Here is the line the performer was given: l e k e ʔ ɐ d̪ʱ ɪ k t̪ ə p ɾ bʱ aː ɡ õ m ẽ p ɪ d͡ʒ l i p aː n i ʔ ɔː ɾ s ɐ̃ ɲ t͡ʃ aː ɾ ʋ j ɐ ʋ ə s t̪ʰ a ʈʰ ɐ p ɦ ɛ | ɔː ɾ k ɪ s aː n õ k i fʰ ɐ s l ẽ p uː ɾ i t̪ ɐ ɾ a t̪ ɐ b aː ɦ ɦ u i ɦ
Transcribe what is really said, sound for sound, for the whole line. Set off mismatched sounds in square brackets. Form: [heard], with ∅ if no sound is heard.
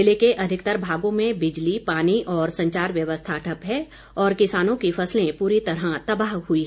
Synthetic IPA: l e k e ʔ ɐ d̪ʱ ɪ k t̪ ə [∅] ɾ bʱ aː ɡ õ m ẽ [b] ɪ d͡ʒ l i p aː n i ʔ ɔː ɾ s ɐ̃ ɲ t͡ʃ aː ɾ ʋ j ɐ ʋ ə s t̪ʰ a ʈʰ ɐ p ɦ ɛ | ɔː ɾ k ɪ s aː n õ k i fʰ ɐ s l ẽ p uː ɾ i t̪ ɐ ɾ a t̪ ɐ b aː ɦ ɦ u i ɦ